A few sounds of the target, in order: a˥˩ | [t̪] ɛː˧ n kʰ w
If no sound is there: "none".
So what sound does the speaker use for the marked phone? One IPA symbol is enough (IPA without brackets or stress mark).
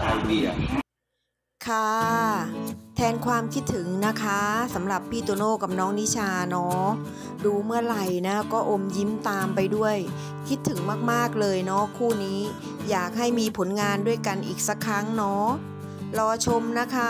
t̪ʰ